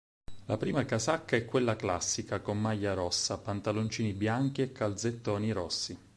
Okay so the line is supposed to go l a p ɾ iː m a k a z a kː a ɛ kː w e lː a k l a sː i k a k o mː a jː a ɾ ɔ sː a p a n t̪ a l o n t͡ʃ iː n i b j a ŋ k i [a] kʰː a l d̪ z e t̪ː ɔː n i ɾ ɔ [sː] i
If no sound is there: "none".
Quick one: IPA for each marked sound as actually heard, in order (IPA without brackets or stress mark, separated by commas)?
e, sː